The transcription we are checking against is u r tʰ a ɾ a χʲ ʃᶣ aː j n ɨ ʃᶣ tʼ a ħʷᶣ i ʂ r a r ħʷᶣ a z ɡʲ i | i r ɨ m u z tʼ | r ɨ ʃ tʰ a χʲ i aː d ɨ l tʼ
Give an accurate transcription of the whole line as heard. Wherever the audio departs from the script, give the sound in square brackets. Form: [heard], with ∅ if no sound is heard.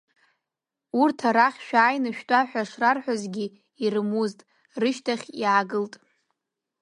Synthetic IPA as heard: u r tʰ a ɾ a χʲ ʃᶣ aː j n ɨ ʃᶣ tʼ a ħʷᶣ [a] ʂ r a r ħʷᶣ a z ɡʲ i | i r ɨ m u z tʼ | r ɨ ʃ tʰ a χʲ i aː [ɡ] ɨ l tʼ

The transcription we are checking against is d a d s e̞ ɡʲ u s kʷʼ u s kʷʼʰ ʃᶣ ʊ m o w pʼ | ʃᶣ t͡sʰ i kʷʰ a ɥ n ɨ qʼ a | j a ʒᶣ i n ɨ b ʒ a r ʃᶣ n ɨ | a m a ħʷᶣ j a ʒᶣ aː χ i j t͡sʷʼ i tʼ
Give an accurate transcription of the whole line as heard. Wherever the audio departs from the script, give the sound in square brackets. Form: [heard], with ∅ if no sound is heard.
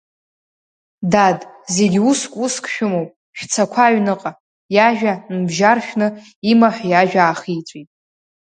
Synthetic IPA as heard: d a d [z] e̞ ɡʲ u s kʷʼ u s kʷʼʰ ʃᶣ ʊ m o w pʼ | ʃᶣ t͡sʰ [a] kʷʰ a ɥ n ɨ qʼ a | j a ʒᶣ [a] n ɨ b ʒ a r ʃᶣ n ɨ | [i] m a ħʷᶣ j a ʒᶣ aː χ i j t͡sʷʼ i tʼ

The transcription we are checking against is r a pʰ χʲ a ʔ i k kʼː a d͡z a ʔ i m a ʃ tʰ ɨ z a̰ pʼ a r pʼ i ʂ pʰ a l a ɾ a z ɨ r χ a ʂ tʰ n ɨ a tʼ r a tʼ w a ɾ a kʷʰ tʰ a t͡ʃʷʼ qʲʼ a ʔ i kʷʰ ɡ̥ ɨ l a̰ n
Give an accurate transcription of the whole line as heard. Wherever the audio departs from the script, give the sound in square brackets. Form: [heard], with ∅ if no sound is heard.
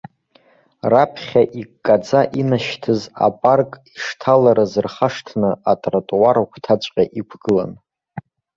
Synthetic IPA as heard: r a pʰ χʲ a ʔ i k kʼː a d͡z a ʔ i [n] a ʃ tʰ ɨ z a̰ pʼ a r [kʼ] i ʂ [tʰ] a l a ɾ a z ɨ r χ a ʂ tʰ n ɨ a tʼ r a tʼ w a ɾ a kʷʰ tʰ a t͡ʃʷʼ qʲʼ a ʔ i kʷʰ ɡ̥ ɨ l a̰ n

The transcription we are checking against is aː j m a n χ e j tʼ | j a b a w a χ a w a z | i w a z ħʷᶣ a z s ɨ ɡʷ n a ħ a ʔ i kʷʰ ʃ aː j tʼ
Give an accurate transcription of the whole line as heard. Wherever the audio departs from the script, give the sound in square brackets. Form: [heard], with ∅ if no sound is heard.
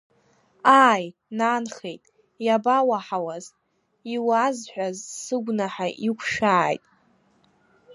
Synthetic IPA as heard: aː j [n] a n χ e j tʼ | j a b a w a [ħ] a w a z | i w a z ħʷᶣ a z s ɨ ɡʷ n a ħ a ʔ i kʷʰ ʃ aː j tʼ

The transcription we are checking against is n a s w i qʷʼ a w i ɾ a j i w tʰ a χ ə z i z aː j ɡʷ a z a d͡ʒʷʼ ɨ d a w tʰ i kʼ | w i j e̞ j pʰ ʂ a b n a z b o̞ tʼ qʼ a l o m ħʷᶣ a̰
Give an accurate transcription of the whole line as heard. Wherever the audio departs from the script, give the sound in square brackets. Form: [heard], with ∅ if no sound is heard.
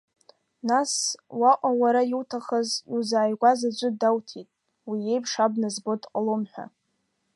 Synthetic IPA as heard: n a s w [a] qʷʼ a w [a] ɾ a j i w tʰ a χ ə z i z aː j ɡʷ a z a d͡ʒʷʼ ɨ d a w tʰ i [tʼ] | w i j e̞ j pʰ ʂ a b n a z b o̞ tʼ qʼ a l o m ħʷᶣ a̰

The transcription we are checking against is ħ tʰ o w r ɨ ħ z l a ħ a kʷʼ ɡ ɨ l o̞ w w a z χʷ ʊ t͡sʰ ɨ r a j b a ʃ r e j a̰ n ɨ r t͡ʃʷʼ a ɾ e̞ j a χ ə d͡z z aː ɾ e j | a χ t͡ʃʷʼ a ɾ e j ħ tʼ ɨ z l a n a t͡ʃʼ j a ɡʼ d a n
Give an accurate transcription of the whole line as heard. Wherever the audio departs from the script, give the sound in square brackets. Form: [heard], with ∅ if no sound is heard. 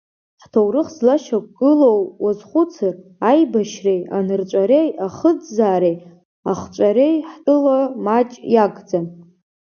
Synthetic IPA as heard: ħ tʰ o w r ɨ [χ] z l a [ʃ] a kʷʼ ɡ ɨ l o̞ w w a z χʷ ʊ t͡sʰ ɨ r a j b a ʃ r e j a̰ n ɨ r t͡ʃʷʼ a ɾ e̞ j a χ ə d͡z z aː ɾ e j | a χ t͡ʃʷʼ a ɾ e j ħ tʼ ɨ [∅] l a [m] a t͡ʃʼ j a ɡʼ [d͡z] a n

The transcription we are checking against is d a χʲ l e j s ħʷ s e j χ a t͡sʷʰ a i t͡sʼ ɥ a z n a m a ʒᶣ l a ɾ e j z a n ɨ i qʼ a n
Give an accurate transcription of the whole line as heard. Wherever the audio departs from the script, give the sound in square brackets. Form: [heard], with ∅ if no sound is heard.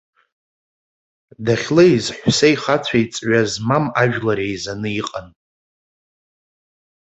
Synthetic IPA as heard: d a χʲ l e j [z] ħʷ s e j χ a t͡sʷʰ a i t͡sʼ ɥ a z [m] a m a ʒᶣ l a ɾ e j z a n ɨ i qʼ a n

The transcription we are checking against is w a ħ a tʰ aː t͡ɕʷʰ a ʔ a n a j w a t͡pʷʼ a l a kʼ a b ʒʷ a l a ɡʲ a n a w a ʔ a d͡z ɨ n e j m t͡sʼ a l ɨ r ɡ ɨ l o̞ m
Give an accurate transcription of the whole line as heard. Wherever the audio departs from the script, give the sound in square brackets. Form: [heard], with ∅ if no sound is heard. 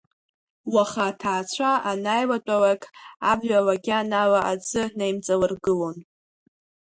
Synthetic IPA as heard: w a [χ] a tʰ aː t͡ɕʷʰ a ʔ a n a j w a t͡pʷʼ a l a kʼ a b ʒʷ a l a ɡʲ a n a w a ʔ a d͡z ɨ n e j m t͡sʼ a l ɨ r ɡ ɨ l o̞ [n]

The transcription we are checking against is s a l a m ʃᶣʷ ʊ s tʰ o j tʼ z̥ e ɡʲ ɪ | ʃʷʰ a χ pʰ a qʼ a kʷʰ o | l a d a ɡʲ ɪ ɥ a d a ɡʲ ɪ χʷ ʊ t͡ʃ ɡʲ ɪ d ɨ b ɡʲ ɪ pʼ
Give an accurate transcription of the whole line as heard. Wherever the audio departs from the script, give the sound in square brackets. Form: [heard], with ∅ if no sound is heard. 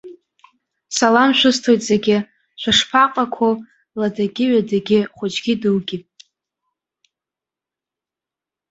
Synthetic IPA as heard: s a l a m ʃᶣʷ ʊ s tʰ o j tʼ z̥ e ɡʲ ɪ | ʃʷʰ a [ʂ] pʰ a qʼ a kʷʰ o | l a d a ɡʲ ɪ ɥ a d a ɡʲ ɪ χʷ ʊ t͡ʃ ɡʲ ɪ d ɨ [w] ɡʲ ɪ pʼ

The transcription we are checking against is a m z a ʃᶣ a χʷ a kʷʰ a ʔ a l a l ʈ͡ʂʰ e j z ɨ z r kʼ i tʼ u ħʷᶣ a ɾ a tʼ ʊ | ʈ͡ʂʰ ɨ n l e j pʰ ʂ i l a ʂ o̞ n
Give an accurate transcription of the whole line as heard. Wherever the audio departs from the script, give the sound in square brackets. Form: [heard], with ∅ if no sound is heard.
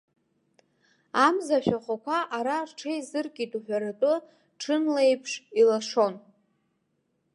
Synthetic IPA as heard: a m z a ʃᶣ a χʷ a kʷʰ a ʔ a [ɾ] a [r] ʈ͡ʂʰ e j z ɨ [∅] r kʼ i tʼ u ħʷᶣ a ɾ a tʼ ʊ | ʈ͡ʂʰ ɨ n l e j pʰ ʂ i l a ʂ o̞ n

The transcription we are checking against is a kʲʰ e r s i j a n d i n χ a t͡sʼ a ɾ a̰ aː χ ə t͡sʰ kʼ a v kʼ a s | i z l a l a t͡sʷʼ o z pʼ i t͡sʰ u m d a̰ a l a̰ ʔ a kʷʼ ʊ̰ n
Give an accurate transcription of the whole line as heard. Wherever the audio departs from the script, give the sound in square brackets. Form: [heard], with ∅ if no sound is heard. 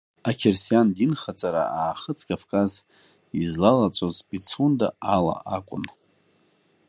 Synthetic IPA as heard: a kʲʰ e r s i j a n d i n χ a t͡sʼ a ɾ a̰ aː χ ə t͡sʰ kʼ a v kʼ a [z] | i z l a l a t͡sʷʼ o z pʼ i t͡sʰ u [n] d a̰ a l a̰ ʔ a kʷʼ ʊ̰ n

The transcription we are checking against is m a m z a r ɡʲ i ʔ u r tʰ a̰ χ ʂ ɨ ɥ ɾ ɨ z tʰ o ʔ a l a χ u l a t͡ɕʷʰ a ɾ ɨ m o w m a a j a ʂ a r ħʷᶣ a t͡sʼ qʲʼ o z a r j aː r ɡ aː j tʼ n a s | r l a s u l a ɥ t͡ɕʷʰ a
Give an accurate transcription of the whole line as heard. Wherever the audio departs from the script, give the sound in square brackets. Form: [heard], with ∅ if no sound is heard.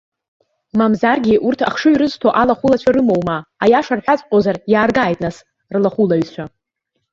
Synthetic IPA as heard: m a m z a r ɡʲ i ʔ u r tʰ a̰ χ ʂ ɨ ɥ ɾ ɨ z tʰ o ʔ a l a χ u l a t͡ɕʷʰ a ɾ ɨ m o w m a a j a ʂ a r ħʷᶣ a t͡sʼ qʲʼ o z a r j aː r ɡ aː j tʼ n a s | r l a [χ] u l a ɥ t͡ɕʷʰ a

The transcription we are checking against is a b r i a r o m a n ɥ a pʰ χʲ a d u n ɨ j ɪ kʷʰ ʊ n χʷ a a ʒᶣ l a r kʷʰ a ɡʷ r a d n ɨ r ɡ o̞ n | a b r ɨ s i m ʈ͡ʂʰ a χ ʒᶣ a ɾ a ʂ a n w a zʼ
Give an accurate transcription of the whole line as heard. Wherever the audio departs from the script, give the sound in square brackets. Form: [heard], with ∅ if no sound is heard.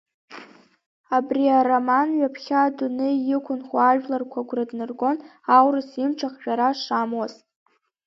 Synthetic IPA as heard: a b r i a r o m a n ɥ a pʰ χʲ a d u n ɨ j ɪ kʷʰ ʊ n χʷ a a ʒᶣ l a r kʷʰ a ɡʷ r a d n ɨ r ɡ o̞ n | a [w] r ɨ s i m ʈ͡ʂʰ a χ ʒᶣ a ɾ a ʂ a [m] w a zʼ

